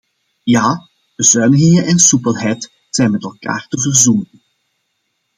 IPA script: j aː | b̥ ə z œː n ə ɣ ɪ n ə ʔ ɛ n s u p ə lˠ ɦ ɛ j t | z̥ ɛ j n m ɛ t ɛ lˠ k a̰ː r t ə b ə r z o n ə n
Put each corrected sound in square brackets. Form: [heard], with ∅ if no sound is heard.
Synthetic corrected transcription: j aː | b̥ ə z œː n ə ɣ ɪ [ŋ] ə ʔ ɛ n s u p ə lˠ ɦ ɛ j t | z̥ ɛ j n m ɛ t ɛ lˠ k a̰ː r t ə [v] ə r z [u] n ə n